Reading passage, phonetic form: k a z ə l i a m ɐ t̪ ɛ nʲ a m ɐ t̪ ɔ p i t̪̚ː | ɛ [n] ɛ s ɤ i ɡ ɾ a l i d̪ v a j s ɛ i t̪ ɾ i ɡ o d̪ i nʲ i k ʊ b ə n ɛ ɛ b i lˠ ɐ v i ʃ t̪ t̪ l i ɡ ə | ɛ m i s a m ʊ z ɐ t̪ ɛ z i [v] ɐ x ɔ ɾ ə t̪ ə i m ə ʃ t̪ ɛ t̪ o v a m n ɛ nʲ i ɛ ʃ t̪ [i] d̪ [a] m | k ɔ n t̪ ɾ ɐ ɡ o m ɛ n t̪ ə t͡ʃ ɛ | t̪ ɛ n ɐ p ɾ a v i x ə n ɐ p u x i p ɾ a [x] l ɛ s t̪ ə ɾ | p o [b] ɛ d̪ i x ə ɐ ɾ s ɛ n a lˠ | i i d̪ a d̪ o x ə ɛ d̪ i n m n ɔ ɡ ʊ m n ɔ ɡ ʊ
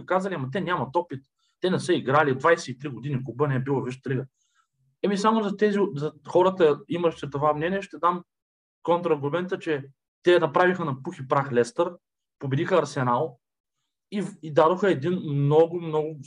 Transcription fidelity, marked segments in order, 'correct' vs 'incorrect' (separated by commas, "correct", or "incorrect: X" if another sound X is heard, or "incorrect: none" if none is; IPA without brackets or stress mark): correct, incorrect: z, incorrect: ɛ, correct, correct, correct